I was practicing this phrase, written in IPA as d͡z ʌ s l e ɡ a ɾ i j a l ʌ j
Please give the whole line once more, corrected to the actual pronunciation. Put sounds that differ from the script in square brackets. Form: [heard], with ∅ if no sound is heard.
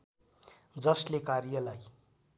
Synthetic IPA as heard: d͡z ʌ s l e [k] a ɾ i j [ʌ] l [a] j